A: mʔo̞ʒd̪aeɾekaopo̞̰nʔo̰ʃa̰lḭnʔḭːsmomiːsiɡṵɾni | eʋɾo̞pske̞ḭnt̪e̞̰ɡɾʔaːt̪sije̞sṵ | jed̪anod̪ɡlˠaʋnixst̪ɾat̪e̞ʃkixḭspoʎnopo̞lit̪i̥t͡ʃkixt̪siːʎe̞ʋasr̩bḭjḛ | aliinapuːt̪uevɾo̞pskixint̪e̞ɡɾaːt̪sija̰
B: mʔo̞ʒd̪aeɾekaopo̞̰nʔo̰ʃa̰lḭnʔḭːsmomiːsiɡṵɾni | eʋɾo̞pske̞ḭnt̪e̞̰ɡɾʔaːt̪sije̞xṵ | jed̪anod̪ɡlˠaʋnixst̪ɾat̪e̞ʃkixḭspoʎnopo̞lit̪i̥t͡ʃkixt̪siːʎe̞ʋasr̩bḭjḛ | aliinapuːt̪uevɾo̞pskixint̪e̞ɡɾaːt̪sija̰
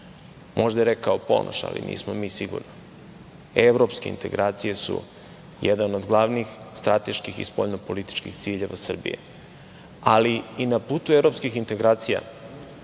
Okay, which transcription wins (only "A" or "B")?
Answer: A